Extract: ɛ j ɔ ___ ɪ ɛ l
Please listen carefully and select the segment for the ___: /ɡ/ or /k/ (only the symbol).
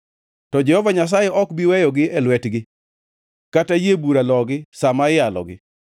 ɡ